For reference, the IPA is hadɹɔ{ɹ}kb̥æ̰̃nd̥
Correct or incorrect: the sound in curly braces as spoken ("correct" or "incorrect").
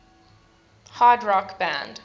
incorrect